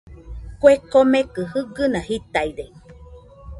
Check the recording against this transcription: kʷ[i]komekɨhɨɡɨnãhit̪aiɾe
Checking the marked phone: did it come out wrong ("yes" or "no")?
yes